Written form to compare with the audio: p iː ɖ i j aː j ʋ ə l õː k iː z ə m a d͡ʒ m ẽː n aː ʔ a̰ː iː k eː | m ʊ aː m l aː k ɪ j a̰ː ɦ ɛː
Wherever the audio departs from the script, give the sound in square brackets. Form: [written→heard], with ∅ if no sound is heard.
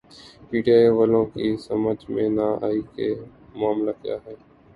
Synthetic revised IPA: p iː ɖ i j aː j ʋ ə l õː k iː [z→s] ə m [a→ə] d͡ʒ m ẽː n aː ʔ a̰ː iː k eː | m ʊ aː m l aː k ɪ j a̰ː ɦ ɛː